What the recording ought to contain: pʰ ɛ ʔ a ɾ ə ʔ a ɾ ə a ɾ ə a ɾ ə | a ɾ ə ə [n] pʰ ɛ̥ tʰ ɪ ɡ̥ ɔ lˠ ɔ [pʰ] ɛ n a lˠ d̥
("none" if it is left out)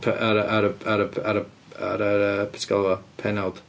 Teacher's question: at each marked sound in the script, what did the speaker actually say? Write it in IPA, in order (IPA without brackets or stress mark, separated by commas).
none, pʰ